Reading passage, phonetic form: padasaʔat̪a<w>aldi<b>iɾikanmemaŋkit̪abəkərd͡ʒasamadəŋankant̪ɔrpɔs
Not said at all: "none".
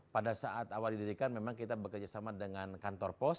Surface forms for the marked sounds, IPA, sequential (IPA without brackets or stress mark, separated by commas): w, d